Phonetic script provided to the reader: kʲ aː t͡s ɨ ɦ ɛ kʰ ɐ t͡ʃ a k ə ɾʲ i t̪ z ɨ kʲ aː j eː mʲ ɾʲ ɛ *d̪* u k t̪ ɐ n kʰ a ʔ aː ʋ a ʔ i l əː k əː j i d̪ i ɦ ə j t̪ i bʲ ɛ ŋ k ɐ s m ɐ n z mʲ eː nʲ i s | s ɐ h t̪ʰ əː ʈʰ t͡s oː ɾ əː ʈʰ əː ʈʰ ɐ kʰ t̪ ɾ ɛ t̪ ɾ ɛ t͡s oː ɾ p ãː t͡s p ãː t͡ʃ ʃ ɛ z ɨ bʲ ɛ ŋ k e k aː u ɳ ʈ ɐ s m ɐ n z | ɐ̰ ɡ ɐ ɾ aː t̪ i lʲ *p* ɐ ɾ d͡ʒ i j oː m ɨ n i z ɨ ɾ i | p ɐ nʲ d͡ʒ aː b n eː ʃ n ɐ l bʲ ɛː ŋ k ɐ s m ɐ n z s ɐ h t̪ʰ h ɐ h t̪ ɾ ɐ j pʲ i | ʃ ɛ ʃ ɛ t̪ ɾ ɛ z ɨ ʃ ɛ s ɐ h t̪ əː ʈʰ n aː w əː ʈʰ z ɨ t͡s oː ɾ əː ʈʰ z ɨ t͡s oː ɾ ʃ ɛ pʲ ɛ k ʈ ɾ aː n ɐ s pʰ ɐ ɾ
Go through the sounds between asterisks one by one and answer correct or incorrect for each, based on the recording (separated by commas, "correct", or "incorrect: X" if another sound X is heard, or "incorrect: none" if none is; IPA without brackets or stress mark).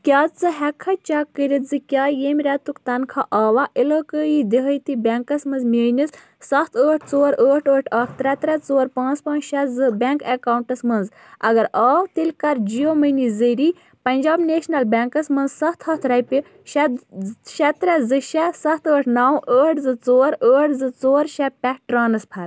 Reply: incorrect: t̪, incorrect: k